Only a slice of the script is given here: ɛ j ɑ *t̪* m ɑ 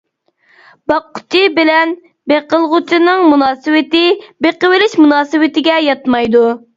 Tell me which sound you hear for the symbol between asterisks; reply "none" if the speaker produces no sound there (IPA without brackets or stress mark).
t̪